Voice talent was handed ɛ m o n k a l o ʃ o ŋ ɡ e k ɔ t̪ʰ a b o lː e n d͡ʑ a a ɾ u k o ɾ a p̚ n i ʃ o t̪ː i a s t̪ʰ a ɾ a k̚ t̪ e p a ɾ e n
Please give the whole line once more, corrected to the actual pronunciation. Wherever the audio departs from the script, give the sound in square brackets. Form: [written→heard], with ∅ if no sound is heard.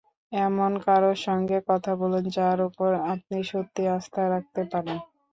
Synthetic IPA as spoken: ɛ m o n k a [l→ɾ] o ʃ [o→ɔ] ŋ ɡ e k ɔ t̪ʰ a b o [lː→l] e n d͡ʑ a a ɾ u [k→p] o ɾ a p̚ n i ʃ o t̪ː i a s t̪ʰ a ɾ a k̚ t̪ e p a ɾ e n